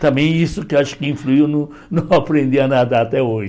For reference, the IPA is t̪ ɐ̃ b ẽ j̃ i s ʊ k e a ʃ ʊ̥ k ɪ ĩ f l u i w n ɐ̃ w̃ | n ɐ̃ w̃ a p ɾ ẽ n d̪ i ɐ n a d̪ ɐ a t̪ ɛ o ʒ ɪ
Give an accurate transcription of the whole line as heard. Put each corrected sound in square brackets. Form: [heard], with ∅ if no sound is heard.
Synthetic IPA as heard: t̪ ɐ̃ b ẽ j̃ i s ʊ k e a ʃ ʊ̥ k ɪ ĩ f l u i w n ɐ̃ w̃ | n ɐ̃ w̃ a p ɾ ẽ n d̪ i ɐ n a d̪ ɐ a t̪ ɛ o ʒ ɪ